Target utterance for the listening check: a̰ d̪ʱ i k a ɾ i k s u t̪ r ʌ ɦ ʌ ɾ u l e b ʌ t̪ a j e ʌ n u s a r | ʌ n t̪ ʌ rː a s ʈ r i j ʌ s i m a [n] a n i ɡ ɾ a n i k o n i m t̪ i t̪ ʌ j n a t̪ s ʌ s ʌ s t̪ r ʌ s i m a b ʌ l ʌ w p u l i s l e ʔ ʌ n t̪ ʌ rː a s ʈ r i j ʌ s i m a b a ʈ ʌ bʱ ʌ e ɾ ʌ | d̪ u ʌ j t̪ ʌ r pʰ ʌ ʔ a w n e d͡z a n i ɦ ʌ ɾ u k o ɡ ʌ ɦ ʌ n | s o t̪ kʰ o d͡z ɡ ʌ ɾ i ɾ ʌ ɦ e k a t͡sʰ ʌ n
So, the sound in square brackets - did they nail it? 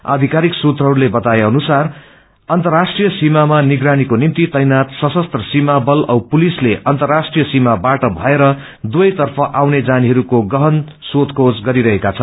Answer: no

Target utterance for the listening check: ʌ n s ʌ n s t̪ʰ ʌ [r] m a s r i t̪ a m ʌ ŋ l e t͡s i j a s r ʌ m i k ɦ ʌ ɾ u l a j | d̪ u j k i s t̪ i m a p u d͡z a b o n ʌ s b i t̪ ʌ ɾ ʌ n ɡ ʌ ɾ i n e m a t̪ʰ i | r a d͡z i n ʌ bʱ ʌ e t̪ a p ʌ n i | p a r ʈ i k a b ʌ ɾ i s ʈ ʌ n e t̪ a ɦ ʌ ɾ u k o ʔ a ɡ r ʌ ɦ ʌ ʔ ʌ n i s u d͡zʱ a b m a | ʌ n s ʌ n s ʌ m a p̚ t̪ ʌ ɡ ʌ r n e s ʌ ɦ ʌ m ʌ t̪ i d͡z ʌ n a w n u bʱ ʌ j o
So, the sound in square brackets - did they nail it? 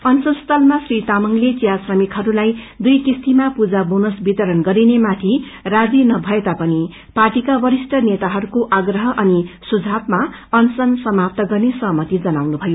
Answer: no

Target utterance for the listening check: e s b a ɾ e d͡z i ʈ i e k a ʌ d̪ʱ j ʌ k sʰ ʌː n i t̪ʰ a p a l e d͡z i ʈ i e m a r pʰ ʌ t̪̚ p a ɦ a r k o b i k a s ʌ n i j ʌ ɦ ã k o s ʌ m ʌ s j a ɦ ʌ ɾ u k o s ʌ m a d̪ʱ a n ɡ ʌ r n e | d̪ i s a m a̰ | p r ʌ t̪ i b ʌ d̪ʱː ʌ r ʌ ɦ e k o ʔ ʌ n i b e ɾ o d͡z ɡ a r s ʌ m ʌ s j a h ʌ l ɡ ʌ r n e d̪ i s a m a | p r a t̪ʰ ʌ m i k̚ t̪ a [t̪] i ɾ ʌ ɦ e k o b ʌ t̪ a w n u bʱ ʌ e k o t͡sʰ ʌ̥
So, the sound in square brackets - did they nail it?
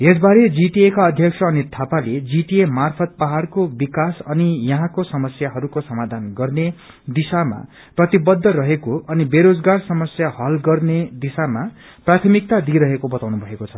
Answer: no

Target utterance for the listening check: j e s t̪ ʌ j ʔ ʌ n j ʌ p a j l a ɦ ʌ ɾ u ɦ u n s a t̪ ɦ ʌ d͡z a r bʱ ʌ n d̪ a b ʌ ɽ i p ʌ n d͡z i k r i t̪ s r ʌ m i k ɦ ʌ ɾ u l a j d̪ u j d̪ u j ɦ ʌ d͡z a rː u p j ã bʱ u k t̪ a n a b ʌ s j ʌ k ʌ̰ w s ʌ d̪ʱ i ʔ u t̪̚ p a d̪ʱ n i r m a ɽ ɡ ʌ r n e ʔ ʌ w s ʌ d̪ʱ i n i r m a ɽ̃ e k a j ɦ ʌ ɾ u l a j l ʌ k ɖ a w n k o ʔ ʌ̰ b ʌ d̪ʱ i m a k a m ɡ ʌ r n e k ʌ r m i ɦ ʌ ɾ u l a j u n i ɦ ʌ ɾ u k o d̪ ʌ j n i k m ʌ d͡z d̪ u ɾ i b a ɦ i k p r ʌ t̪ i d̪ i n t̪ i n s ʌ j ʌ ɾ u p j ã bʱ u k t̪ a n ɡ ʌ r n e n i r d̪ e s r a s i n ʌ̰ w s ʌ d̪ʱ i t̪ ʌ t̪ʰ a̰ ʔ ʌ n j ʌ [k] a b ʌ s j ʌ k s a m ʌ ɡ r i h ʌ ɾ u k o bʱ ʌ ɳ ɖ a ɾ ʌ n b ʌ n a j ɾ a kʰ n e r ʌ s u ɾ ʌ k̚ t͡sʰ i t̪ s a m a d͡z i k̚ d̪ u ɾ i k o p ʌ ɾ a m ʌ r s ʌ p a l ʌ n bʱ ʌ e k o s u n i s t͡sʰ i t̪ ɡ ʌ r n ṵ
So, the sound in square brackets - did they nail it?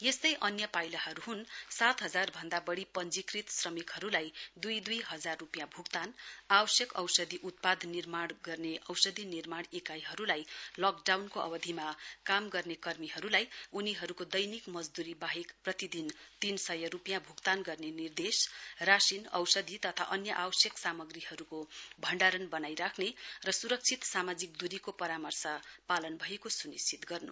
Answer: no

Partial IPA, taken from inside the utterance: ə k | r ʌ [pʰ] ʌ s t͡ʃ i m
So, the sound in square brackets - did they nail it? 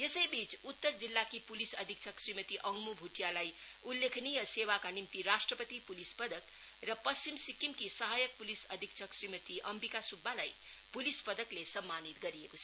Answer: no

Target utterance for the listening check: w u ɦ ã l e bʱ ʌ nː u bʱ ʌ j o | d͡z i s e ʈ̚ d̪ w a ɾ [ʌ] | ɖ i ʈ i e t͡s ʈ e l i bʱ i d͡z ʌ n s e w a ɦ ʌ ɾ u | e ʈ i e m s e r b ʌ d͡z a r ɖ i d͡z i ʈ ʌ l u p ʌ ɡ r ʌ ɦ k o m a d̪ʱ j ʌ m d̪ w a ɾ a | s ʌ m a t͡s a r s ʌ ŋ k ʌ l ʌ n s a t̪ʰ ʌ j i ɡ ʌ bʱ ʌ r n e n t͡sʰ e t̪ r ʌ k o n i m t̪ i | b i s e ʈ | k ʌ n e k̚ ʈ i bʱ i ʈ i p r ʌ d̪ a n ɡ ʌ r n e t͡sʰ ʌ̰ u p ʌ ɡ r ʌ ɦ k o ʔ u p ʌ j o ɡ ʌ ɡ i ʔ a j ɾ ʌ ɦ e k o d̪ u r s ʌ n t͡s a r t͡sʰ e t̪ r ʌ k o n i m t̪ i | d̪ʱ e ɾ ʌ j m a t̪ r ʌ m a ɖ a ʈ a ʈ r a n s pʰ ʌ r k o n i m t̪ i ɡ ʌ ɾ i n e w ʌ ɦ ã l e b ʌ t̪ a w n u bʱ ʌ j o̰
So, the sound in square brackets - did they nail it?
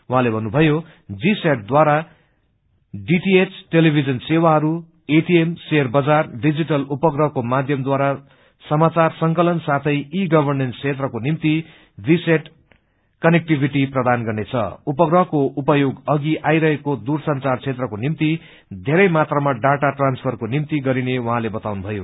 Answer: no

